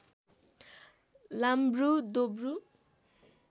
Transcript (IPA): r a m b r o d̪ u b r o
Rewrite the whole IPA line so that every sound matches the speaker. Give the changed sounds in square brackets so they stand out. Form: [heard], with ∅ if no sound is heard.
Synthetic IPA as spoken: [l] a m b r [u] d̪ [o] b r [u]

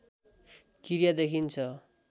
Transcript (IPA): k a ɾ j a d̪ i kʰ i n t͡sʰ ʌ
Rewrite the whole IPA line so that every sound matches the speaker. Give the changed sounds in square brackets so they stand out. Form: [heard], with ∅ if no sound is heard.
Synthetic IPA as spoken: k [i] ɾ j a d̪ [e] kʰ i n t͡sʰ ʌ

